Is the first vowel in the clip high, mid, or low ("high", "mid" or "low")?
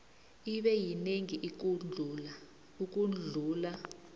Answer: high